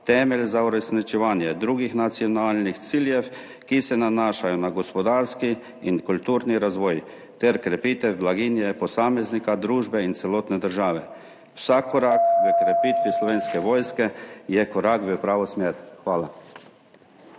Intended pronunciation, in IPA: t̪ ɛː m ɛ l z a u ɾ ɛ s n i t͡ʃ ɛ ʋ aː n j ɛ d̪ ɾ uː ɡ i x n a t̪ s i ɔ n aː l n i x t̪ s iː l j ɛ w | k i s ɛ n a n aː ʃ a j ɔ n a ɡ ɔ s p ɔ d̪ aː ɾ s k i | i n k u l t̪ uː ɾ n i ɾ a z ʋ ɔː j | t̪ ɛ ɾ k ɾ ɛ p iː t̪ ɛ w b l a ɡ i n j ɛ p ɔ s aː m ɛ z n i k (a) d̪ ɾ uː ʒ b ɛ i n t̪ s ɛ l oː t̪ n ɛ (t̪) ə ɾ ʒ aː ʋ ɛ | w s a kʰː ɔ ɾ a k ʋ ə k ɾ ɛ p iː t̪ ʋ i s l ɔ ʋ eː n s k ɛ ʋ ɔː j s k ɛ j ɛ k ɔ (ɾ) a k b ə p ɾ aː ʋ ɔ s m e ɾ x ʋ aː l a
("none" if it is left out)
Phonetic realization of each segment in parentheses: a, d̪, ɾ

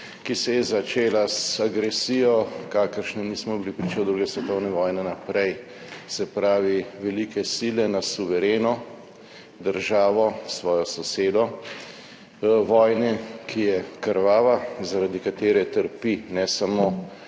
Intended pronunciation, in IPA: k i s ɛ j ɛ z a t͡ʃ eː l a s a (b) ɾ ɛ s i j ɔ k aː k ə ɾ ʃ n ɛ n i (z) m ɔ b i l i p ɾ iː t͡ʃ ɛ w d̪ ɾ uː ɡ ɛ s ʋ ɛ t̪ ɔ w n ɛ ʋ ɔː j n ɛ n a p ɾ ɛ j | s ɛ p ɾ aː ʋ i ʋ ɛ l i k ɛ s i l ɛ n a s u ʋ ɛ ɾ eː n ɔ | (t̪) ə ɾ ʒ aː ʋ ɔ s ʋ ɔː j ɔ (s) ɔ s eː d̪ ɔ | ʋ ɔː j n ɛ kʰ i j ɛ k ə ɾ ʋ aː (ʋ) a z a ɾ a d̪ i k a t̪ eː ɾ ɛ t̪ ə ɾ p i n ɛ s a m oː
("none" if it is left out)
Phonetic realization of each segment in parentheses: ɡ, s, d̪, s, ʋ

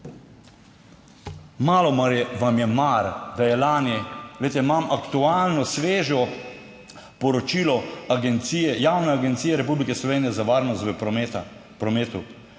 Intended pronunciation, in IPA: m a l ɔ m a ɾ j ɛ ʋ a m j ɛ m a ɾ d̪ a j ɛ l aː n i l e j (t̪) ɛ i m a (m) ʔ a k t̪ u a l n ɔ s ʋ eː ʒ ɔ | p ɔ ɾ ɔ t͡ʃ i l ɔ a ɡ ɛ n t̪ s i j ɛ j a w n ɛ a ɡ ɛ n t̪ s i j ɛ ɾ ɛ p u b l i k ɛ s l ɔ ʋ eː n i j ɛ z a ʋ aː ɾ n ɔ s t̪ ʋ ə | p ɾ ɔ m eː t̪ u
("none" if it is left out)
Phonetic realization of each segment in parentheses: t̪, m

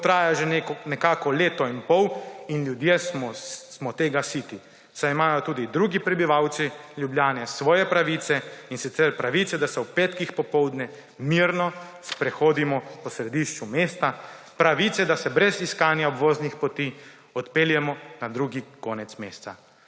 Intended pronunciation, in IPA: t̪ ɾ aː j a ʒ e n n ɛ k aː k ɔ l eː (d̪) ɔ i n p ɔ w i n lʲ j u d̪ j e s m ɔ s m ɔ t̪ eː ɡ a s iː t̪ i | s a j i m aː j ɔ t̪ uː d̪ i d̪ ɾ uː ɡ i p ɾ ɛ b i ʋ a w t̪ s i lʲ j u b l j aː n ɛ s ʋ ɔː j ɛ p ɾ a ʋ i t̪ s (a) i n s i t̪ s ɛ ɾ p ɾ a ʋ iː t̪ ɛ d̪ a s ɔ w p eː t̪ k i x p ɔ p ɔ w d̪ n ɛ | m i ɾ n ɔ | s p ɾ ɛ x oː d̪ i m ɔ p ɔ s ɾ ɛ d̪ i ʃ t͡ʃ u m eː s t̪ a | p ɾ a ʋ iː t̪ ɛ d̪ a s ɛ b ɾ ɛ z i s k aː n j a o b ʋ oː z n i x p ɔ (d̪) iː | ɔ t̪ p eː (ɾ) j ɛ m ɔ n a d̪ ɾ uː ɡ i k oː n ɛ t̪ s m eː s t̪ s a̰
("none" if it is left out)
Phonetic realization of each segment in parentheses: t̪, ɛ, t̪, l

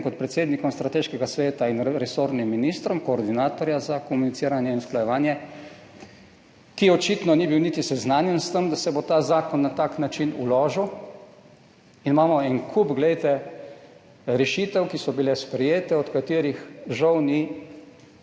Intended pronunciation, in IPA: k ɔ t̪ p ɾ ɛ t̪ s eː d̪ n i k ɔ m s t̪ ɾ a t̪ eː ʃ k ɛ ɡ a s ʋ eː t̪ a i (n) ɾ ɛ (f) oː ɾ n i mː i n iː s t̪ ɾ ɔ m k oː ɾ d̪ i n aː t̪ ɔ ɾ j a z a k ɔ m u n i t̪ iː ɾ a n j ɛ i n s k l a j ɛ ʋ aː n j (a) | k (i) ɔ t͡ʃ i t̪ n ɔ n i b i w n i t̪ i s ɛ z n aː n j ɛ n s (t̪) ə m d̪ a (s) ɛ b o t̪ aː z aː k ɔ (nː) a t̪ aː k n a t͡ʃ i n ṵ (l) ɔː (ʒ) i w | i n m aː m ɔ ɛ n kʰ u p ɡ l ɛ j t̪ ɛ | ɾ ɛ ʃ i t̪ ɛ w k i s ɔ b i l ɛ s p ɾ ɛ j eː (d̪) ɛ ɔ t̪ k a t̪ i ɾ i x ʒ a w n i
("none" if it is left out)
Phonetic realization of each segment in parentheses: n, s, ɛ, i, t̪, s, nː, l, ʒ, t̪

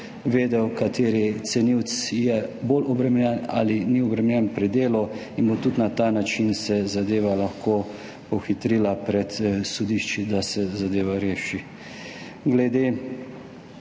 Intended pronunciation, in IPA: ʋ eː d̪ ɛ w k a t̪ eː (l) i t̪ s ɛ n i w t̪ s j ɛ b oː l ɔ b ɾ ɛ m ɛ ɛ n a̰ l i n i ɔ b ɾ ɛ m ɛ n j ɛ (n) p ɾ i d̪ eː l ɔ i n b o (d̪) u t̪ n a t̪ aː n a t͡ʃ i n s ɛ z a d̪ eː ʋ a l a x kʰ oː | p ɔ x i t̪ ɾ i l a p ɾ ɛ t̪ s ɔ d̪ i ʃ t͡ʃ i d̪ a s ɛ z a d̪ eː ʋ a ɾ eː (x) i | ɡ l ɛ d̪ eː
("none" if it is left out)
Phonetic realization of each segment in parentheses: ɾ, n, t̪, ʃ

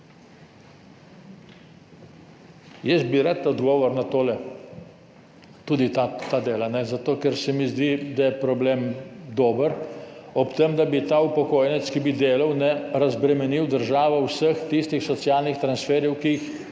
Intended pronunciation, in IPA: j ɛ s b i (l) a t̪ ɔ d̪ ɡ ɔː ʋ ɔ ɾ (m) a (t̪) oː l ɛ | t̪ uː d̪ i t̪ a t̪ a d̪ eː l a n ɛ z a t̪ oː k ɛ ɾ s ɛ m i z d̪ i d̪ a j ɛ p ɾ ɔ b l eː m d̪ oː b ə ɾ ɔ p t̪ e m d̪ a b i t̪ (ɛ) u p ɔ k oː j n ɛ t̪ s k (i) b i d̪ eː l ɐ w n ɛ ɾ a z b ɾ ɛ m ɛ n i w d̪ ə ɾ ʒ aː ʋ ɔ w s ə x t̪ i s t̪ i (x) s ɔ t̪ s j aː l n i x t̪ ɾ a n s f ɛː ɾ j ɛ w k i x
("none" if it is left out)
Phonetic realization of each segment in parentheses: ɾ, n, t̪, a, i, x

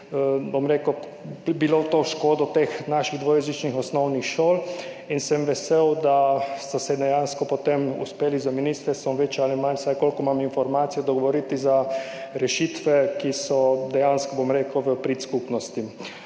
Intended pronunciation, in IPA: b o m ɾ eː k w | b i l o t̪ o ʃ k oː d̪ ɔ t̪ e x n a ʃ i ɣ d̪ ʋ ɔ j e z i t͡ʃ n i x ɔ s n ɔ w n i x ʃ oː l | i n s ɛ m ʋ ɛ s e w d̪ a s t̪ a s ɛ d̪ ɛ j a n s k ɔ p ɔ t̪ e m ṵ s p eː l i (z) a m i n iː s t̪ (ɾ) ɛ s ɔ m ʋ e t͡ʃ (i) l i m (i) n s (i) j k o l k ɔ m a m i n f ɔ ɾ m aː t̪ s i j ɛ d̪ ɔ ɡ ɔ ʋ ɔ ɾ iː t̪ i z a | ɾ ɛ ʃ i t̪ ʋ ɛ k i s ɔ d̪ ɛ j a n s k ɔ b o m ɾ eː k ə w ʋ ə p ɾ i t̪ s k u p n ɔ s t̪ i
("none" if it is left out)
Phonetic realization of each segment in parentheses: z, ɾ, a, a, a

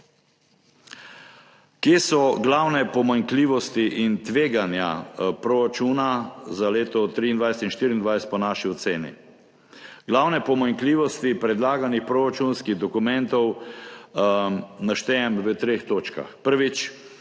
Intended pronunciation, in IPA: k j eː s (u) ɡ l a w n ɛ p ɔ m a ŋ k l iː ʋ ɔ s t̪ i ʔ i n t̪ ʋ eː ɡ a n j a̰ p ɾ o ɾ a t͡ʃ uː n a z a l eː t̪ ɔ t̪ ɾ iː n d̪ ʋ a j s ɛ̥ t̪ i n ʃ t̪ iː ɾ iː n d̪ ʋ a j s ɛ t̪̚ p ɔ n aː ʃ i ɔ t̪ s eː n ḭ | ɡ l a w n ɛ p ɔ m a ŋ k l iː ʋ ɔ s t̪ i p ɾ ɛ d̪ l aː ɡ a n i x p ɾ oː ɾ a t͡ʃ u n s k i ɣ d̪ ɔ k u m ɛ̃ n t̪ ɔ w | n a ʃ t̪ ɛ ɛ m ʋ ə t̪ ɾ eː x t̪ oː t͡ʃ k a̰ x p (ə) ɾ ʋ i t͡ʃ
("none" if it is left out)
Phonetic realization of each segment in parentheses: ɔ, ə

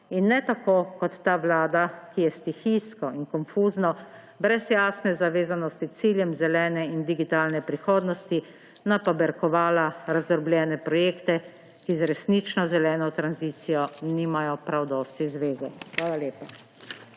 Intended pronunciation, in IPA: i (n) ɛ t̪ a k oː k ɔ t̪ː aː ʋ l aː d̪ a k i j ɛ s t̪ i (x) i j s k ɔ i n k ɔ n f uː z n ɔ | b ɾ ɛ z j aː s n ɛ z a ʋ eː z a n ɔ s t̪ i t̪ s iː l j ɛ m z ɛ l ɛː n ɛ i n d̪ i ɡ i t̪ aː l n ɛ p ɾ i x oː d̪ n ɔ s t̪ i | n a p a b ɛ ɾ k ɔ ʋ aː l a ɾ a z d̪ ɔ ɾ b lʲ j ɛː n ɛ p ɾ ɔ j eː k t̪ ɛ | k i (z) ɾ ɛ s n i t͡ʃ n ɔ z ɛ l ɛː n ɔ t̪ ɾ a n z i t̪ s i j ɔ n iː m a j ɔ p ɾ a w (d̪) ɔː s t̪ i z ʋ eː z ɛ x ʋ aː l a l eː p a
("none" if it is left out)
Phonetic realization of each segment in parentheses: nː, x, z, d̪

